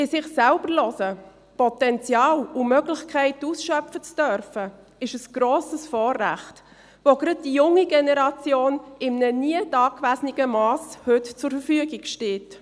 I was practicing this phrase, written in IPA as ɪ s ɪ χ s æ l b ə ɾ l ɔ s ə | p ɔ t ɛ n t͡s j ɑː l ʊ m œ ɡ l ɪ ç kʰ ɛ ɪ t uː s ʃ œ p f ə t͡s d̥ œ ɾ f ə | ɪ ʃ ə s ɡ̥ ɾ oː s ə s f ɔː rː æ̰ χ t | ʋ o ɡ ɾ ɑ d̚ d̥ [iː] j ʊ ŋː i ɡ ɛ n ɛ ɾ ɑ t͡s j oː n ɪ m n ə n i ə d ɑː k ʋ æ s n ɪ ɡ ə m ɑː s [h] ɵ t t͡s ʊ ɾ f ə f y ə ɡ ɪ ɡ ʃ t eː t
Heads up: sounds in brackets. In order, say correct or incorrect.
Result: incorrect: i, correct

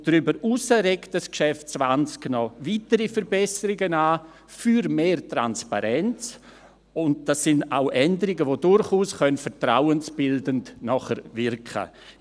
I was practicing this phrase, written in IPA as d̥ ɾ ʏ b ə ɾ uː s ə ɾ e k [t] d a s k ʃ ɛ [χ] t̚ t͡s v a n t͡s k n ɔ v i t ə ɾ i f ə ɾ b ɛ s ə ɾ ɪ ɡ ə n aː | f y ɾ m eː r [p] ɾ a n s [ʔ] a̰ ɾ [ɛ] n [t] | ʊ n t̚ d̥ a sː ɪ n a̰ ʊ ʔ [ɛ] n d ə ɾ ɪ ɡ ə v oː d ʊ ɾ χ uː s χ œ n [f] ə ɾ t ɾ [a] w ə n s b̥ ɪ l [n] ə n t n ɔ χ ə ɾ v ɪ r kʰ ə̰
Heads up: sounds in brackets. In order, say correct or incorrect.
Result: correct, incorrect: f, incorrect: t, incorrect: p, correct, incorrect: t͡s, correct, correct, correct, incorrect: d

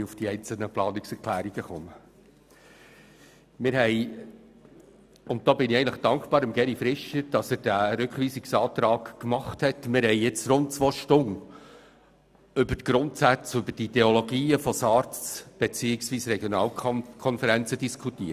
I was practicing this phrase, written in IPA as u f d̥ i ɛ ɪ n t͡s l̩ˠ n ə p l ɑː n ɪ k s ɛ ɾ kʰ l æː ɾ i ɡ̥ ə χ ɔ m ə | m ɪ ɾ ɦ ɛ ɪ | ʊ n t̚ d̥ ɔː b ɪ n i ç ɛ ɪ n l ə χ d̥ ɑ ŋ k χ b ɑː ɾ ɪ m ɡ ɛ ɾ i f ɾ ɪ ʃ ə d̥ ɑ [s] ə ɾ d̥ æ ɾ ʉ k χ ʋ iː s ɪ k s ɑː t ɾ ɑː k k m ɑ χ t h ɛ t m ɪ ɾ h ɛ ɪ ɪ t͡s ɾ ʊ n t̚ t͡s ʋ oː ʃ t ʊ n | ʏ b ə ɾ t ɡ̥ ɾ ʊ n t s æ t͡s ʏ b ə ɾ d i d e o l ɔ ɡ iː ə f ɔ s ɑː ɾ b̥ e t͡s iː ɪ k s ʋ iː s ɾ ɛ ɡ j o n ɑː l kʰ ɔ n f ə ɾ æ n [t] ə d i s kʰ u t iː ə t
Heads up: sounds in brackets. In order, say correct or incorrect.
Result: correct, incorrect: t͡s

